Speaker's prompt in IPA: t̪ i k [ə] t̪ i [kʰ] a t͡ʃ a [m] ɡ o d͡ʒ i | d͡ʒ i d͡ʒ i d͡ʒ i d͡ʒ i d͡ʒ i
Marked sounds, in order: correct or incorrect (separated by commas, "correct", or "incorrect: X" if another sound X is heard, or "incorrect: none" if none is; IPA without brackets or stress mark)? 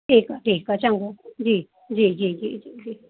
incorrect: a, incorrect: k, incorrect: ŋ